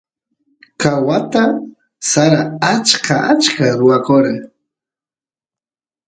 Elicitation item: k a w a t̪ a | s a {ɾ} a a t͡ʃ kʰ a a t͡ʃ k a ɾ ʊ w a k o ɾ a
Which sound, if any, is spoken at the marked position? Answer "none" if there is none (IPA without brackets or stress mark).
ɾ